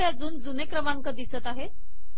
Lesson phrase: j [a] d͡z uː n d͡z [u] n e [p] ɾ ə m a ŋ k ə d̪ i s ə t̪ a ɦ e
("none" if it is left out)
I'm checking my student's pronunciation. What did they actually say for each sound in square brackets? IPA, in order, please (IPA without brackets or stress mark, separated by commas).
a, u, k